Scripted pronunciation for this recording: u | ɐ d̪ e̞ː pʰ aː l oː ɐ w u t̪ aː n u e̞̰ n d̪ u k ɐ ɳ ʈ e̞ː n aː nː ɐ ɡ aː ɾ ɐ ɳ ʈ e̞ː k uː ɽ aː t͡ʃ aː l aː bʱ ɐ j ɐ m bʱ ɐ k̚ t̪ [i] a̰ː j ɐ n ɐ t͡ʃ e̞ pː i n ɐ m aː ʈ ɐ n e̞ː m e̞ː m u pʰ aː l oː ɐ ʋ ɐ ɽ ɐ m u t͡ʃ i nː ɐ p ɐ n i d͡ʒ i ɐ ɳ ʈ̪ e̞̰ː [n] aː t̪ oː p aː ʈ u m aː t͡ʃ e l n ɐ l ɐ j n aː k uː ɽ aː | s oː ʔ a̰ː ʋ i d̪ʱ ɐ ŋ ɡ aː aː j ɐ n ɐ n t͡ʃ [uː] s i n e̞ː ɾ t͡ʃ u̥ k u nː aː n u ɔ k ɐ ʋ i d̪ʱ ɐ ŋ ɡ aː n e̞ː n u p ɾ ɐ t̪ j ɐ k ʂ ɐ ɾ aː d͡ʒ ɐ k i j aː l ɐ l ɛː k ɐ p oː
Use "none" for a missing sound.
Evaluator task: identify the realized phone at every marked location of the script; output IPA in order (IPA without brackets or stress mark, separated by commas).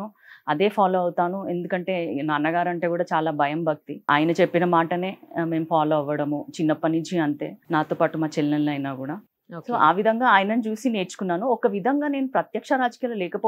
i, n, uː